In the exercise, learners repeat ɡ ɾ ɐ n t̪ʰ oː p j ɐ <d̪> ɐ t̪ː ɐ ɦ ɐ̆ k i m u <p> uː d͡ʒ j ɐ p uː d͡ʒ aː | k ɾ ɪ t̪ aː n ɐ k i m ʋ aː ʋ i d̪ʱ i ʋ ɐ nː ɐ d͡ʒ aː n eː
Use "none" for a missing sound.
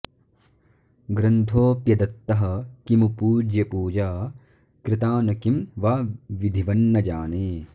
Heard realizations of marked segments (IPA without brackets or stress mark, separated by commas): d̪, p